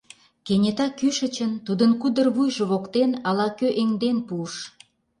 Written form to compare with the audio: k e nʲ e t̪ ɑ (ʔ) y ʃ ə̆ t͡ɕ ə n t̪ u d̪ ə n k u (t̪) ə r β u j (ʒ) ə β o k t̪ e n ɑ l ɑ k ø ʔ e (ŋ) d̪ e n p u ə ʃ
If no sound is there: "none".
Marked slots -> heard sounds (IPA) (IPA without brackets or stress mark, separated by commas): k, d̪, ʒ, ŋ